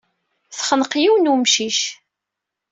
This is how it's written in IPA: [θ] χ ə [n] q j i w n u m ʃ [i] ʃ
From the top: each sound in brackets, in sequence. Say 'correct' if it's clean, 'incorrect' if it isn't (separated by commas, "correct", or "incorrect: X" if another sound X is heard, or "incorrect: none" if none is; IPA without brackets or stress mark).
correct, correct, correct